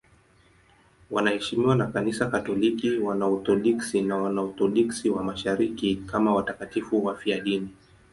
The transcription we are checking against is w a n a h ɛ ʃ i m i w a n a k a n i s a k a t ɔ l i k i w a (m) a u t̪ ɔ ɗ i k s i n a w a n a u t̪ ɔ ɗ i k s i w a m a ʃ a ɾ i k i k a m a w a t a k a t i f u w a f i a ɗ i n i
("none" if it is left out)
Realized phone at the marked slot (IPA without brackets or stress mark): n